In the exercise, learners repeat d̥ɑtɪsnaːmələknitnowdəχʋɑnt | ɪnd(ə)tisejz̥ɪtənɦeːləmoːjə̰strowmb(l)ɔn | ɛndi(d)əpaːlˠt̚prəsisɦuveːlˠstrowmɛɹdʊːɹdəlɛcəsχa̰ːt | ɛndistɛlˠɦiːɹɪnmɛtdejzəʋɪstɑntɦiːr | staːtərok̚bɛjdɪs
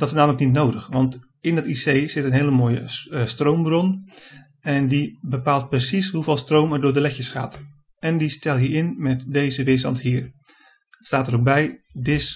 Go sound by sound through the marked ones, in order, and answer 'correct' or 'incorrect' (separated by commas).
incorrect, incorrect, incorrect